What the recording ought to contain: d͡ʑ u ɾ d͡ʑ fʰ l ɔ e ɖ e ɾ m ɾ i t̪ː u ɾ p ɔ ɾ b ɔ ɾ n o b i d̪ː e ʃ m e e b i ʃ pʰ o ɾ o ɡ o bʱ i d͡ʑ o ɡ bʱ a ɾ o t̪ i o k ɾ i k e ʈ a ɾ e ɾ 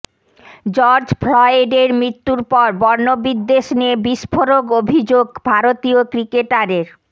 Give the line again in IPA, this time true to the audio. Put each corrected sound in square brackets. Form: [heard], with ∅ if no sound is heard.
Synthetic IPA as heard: d͡ʑ [ɔ] ɾ d͡ʑ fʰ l ɔ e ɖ e ɾ m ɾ i t̪ː u ɾ p ɔ ɾ b ɔ ɾ n o b i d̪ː e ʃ [n] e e b i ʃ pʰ o ɾ o ɡ o bʱ i d͡ʑ o ɡ bʱ a ɾ o t̪ i o k ɾ i k e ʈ a ɾ e ɾ